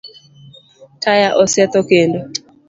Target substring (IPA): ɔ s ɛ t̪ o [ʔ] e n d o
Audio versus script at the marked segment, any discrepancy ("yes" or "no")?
yes